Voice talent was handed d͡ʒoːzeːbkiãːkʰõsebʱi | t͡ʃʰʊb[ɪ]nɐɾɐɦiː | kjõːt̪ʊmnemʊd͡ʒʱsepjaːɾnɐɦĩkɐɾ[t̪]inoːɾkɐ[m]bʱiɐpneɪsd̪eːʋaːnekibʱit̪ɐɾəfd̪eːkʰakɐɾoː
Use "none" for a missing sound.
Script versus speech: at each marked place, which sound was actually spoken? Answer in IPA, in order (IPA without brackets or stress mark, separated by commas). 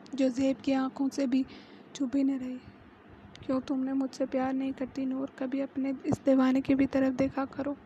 i, t̪, none